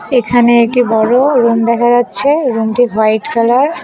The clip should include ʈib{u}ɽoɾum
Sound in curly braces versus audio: incorrect: ɔ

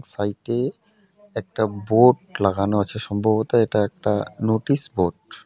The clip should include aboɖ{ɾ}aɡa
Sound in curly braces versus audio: incorrect: l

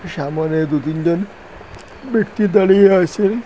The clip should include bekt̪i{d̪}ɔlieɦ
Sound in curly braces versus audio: correct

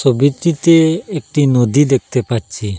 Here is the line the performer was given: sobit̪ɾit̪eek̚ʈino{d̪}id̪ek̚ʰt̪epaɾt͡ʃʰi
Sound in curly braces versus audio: correct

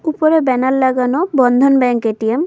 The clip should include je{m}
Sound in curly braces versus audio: correct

